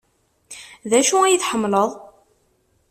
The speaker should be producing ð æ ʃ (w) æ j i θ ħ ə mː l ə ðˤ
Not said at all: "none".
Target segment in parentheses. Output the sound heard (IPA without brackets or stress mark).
u